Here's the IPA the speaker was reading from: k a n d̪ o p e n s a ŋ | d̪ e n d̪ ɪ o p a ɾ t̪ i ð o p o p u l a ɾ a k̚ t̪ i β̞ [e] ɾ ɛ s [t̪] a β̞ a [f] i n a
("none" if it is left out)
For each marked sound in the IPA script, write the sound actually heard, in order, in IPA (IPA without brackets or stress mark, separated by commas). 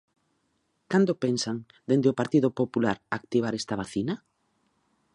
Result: a, t̪, θ